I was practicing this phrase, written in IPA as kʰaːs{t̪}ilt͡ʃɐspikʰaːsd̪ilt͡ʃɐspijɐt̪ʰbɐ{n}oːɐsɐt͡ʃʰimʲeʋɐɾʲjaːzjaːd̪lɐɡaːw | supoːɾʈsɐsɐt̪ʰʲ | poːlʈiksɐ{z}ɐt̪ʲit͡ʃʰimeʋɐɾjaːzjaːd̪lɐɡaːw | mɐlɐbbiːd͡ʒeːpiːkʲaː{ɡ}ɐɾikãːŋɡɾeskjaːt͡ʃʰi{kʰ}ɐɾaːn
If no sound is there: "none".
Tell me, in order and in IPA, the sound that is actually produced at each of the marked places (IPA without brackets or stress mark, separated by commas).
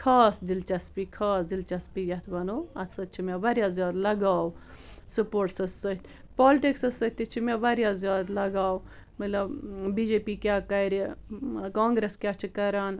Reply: d̪, n, s, k, k